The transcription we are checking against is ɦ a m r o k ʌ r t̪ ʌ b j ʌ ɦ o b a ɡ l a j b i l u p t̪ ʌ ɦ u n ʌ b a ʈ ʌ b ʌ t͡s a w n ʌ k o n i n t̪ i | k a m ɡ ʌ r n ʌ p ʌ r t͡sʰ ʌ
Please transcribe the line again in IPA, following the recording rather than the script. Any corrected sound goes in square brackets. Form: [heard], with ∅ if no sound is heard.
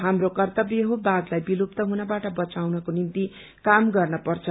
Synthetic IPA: ɦ a m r o k ʌ r t̪ ʌ b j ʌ ɦ o b a ɡ l a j b i l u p t̪ ʌ ɦ u n ʌ b a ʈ ʌ b ʌ t͡s a w n ʌ k o n i n t̪ i | k a m ɡ ʌ r n ʌ p ʌ r t͡sʰ ʌ